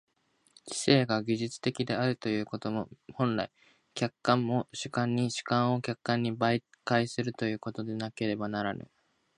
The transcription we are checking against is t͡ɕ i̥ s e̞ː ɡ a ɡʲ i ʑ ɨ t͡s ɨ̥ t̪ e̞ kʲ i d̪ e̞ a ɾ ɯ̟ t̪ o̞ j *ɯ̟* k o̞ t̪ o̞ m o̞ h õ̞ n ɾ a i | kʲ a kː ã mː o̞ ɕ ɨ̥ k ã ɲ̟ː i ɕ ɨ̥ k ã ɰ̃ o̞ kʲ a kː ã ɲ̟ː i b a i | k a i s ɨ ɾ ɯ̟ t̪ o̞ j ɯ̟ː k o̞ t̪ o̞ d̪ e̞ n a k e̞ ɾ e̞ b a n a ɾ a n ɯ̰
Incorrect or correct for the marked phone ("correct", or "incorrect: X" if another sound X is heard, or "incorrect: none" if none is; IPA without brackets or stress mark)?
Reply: incorrect: ɯ̟ː